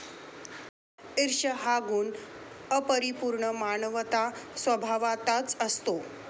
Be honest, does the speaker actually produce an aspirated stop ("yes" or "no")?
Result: no